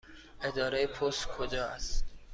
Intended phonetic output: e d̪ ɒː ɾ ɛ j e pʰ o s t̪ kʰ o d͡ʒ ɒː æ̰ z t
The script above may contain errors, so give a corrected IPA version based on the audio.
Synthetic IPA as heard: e d̪ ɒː ɾ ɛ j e pʰ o s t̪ kʰ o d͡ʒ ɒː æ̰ s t